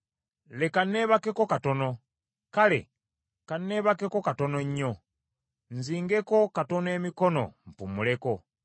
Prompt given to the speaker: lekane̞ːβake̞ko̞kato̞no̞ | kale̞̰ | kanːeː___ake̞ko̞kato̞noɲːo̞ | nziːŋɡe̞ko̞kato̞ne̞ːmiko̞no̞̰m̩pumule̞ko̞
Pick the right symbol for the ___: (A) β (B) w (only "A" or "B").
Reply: A